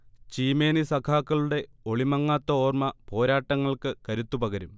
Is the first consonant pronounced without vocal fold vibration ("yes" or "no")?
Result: yes